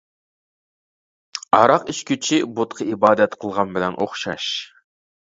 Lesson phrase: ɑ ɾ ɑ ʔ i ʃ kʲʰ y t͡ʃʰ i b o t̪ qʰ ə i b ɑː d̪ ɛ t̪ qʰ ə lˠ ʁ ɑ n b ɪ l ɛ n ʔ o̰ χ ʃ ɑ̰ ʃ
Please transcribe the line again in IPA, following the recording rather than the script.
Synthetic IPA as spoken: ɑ ɾ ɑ q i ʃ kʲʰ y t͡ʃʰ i b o t̪ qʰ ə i b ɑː d̪ ɛ t̪ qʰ ə lˠ ʁ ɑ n b ɪ l ɛ n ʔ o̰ χ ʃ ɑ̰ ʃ